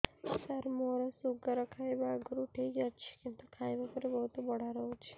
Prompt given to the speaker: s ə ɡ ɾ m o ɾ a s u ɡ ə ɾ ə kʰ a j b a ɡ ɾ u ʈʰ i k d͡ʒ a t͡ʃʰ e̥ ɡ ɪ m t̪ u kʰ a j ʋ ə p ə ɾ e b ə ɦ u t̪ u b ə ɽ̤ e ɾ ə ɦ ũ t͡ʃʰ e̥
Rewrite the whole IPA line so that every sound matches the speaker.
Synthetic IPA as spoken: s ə ɾ m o ɾ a s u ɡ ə ɾ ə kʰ a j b a ɡ ɾ u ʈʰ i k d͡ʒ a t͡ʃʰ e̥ k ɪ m t̪ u kʰ a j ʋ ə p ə ɾ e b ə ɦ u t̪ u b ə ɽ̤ a ɾ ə ɦ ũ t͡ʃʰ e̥